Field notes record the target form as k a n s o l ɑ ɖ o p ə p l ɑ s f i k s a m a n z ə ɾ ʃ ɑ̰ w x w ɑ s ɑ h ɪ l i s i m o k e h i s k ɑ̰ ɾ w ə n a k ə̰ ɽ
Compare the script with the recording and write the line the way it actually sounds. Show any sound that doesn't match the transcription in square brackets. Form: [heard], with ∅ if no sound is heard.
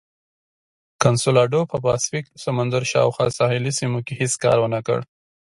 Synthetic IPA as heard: k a n s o l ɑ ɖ o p ə p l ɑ s f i k s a m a n z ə ɾ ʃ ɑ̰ w x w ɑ s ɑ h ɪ l i s i m o k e h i s k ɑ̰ ɾ w ə n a k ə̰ ɽ